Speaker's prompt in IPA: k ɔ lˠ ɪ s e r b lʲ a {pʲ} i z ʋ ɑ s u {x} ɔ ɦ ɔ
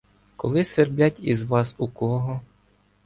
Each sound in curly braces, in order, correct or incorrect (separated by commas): incorrect, incorrect